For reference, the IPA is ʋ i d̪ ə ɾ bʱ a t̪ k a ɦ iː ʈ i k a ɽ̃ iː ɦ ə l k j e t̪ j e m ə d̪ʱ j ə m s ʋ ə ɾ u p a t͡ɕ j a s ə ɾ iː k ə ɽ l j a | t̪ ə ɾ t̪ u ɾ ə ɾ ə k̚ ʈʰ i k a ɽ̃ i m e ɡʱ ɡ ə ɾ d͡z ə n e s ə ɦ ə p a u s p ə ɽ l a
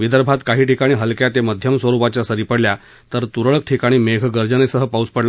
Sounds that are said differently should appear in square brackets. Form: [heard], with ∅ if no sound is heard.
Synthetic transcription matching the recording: ʋ i d̪ ə ɾ bʱ a t̪ k a ɦ iː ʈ i k a ɽ̃ iː ɦ ə l k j [a] t̪ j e m ə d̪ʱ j ə m s ʋ ə ɾ u p a t͡ɕ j a s ə ɾ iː [p] ə ɽ l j a | t̪ ə ɾ t̪ u ɾ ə [ɭ] ə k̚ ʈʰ i k a ɽ̃ [iː] m e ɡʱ ɡ ə ɾ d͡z ə n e s ə ɦ ə p a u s p ə ɽ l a